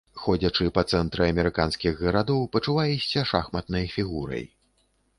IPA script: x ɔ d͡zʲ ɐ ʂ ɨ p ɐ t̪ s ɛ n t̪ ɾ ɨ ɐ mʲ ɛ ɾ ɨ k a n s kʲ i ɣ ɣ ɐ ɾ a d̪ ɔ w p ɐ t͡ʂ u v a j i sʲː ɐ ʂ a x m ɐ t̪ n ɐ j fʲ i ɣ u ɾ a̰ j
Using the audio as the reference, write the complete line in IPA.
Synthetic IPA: x ɔ d͡zʲ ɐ t͡ʂ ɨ p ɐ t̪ s ɛ n t̪ ɾ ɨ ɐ mʲ ɛ ɾ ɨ k a n s kʲ i ɣ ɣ ɐ ɾ a d̪ ɔ w p ɐ t͡ʂ u v a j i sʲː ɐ ʂ a x m ɐ t̪ n ɐ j fʲ i ɣ u ɾ ɐ̰ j